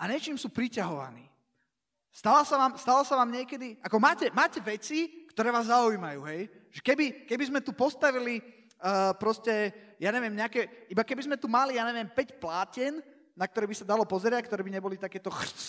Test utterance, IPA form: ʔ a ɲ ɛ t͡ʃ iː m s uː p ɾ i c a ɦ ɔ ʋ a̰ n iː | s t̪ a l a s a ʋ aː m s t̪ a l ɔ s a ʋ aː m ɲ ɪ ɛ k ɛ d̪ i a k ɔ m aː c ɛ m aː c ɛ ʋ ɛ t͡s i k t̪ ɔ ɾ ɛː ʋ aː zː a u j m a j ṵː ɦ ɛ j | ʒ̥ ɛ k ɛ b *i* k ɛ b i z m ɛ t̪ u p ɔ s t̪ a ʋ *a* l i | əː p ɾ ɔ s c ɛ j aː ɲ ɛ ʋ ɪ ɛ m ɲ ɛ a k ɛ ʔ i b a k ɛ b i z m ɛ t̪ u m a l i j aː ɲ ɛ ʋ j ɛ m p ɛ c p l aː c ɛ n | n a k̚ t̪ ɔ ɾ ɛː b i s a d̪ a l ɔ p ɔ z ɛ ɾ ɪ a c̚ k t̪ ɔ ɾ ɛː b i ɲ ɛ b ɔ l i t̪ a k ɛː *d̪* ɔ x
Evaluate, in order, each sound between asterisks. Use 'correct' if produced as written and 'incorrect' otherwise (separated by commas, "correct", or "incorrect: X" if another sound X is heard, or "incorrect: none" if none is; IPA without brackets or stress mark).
correct, incorrect: i, incorrect: t̪